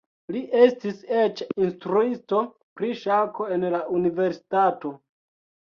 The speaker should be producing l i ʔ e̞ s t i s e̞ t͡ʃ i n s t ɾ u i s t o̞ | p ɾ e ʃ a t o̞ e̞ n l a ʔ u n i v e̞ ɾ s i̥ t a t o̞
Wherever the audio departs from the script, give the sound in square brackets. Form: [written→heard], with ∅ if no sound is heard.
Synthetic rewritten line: l i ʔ e̞ s t i s e̞ t͡ʃ i n s t ɾ u i s t o̞ | p ɾ [e→i] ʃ a [t→k] o̞ e̞ n l a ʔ u n i v e̞ ɾ s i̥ t a t o̞